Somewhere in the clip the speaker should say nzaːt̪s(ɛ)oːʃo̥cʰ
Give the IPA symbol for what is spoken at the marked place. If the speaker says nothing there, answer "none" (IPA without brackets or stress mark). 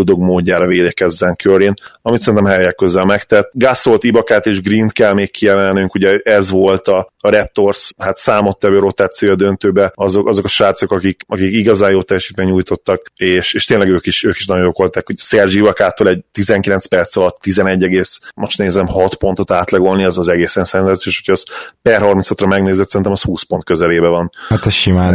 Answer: i